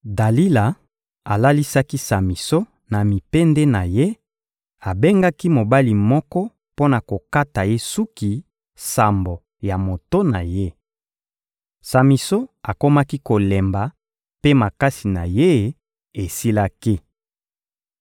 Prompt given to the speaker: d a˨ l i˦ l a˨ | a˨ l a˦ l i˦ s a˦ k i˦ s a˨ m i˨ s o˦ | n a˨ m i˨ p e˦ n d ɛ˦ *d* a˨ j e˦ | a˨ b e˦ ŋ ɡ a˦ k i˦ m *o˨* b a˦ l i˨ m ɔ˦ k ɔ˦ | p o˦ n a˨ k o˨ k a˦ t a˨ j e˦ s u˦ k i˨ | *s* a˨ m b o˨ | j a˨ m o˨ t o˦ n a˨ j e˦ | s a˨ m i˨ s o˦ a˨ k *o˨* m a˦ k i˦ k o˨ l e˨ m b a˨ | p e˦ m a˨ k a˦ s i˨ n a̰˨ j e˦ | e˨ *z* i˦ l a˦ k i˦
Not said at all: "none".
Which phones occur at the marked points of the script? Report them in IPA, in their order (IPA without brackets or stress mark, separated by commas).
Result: n, o˨, s, o˦, s